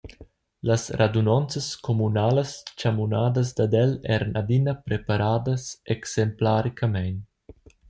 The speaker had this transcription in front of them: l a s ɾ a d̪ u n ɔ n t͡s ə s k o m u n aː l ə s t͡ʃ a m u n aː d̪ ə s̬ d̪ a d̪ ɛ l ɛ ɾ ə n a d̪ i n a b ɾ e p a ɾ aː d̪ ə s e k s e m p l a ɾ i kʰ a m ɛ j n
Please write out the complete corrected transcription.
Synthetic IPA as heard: l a s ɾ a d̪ u n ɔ n t͡s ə s k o m u n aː l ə s t͡ʃ a m u n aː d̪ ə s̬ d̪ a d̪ ɛ l ɛ ɾ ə n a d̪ i n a p ɾ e p a ɾ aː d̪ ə s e k s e m p l a ɾ i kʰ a m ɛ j n